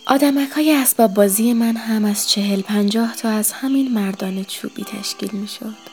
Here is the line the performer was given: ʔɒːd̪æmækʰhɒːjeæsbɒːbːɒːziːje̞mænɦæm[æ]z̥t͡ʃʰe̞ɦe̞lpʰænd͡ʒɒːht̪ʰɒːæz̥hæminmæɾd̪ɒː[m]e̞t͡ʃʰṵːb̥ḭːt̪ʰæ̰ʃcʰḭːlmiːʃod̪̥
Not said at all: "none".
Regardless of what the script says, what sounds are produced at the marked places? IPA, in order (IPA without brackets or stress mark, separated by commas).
æ, n